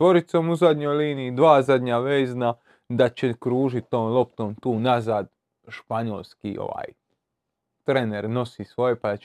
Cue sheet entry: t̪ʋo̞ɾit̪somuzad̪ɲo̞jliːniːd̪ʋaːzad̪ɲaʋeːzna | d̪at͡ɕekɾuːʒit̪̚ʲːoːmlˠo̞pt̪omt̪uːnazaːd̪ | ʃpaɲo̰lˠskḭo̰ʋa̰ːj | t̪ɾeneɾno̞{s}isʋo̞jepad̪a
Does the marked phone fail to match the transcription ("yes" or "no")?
no